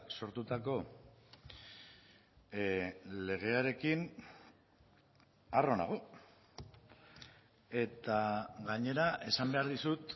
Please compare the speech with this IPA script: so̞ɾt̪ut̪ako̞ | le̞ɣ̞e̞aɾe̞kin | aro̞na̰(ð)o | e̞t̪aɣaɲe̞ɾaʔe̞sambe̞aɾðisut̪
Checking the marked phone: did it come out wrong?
yes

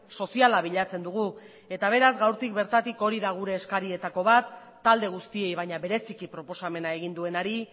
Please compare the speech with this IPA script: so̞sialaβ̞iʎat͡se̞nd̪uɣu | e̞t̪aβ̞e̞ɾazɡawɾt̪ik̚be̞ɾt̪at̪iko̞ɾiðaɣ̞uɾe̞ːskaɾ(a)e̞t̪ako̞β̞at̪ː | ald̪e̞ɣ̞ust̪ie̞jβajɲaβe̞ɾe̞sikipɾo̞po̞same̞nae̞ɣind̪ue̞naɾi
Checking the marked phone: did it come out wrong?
yes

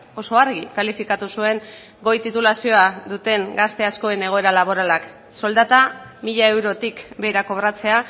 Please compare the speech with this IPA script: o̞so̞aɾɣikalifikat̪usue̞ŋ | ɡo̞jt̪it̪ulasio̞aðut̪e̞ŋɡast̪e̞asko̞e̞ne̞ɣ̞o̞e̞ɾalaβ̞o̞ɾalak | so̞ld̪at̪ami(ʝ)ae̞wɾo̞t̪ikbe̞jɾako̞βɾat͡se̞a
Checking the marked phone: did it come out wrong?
yes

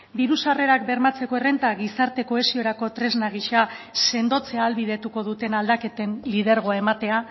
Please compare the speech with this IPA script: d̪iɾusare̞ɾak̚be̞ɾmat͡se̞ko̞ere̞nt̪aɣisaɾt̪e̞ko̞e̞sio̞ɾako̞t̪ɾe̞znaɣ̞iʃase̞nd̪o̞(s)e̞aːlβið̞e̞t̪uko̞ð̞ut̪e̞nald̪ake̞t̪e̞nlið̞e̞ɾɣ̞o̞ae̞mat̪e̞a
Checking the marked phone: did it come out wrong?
yes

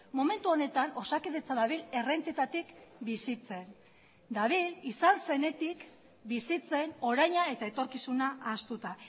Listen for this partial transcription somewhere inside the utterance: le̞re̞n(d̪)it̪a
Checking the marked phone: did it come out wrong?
yes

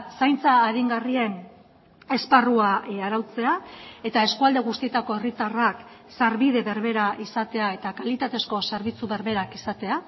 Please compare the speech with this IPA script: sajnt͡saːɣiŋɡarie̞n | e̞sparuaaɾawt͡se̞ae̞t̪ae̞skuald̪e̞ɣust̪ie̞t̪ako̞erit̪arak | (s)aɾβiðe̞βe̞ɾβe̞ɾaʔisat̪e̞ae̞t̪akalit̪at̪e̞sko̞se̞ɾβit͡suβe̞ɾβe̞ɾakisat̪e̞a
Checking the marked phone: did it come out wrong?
no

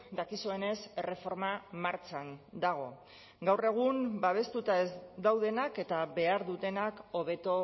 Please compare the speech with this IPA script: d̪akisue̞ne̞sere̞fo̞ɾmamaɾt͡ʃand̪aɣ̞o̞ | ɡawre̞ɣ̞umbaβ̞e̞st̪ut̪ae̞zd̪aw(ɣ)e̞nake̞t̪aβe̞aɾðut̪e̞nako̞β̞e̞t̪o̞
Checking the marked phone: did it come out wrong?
yes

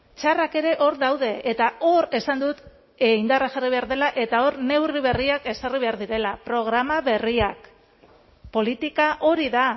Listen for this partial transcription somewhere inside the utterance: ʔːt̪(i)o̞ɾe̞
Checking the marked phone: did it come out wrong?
yes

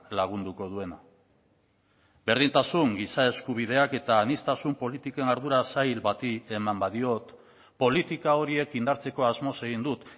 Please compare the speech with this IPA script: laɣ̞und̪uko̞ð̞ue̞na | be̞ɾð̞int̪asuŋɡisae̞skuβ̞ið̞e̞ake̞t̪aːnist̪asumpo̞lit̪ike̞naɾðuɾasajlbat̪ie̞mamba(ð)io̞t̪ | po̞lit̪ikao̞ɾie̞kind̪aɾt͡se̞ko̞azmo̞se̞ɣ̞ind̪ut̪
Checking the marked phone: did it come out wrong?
no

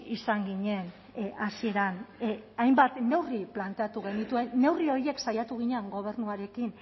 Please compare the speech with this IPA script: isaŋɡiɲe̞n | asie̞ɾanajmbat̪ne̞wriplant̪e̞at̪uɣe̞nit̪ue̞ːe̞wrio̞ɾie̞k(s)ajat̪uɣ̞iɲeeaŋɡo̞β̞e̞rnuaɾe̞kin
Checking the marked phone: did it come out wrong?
no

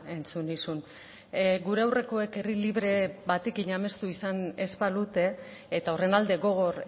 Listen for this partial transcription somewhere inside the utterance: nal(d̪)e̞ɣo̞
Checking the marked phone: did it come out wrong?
no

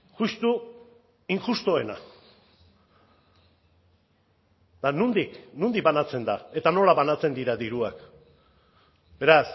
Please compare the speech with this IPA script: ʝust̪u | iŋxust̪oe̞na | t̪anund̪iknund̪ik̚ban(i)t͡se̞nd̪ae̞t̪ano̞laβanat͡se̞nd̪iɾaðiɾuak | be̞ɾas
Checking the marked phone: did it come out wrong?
yes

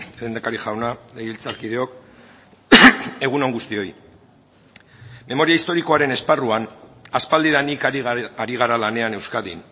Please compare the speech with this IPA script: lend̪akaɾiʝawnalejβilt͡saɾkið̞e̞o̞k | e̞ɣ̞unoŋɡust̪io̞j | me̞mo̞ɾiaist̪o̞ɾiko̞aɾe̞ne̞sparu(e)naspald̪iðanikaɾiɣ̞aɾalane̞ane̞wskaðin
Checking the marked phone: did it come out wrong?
yes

